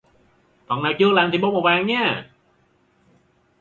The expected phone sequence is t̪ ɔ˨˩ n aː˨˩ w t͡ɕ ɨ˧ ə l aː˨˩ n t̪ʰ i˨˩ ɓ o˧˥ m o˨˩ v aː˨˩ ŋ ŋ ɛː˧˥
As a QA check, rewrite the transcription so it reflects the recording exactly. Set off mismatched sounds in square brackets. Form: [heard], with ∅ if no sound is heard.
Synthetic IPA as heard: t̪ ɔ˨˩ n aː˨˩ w t͡ɕ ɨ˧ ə l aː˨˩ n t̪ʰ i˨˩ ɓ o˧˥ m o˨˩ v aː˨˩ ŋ [ɲ] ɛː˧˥